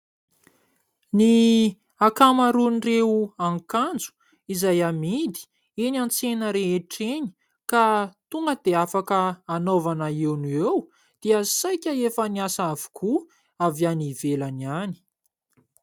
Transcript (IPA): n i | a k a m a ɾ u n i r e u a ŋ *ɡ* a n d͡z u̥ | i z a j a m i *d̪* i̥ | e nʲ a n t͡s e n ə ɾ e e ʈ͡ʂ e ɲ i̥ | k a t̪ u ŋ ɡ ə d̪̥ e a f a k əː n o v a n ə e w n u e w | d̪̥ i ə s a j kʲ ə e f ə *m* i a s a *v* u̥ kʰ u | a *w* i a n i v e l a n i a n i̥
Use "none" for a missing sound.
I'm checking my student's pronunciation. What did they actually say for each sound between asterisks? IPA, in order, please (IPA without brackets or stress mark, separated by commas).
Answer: k, d̪, n, v, v